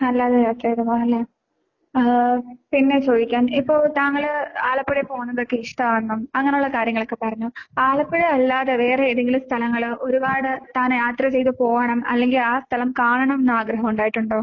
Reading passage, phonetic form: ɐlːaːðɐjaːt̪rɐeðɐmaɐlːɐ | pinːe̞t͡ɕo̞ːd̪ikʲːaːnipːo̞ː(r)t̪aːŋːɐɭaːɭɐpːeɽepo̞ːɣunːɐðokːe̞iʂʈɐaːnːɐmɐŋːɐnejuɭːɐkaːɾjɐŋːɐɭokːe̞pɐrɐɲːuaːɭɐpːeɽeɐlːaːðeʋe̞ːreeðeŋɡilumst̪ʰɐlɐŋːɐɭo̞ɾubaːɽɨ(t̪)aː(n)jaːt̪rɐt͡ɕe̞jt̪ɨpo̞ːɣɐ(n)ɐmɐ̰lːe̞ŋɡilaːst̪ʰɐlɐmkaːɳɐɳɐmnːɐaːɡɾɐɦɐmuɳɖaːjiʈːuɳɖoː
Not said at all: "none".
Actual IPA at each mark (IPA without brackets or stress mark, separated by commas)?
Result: ɭ, t̪, n, ɳ